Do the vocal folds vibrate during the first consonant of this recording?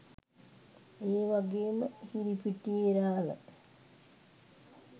yes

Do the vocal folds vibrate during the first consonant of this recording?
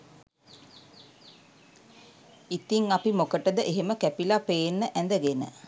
no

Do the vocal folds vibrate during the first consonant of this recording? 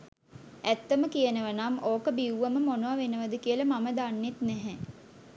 no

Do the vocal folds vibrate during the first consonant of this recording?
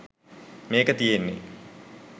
yes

